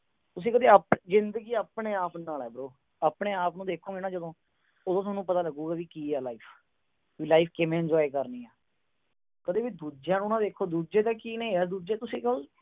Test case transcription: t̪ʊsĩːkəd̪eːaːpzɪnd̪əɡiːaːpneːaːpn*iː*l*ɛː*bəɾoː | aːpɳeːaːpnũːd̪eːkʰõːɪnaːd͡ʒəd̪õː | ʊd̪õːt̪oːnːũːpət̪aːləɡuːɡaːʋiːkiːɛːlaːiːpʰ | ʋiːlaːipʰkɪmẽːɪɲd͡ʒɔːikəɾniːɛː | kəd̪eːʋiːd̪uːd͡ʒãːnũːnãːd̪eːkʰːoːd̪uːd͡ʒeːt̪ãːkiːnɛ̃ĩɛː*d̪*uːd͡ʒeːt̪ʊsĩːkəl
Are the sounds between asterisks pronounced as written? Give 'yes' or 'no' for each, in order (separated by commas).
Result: no, yes, yes